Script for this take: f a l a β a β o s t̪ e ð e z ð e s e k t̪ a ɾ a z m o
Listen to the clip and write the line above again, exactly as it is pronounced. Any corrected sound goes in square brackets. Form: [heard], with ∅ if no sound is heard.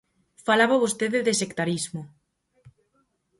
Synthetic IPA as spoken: f a l a β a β o s t̪ e ð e [∅] ð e s e k t̪ a ɾ [i] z m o